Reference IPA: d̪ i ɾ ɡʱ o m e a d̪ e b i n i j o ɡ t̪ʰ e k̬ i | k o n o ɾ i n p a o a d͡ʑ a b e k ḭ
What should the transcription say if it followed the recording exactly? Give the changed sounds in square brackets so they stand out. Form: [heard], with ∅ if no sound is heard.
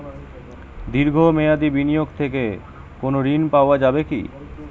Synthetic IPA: d̪ i ɾ ɡʱ o m e a d̪ [i] b i n i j o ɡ t̪ʰ e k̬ [e] | k o n o ɾ i n p a o a d͡ʑ a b e k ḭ